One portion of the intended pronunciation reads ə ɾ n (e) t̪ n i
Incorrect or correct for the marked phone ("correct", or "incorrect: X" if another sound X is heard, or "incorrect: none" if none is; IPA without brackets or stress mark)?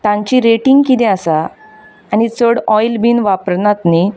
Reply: incorrect: a